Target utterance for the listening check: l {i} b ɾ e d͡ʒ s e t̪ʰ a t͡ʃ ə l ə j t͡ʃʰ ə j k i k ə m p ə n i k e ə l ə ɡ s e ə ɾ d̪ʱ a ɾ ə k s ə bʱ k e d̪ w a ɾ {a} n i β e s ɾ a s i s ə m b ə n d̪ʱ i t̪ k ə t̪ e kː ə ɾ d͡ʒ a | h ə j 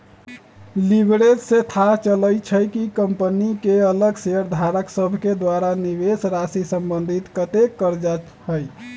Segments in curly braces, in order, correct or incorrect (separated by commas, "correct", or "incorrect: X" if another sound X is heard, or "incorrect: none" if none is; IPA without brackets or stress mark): correct, correct